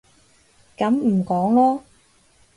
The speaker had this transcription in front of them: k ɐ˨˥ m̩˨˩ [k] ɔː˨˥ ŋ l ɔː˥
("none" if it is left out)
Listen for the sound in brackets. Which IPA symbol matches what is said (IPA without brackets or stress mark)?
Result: k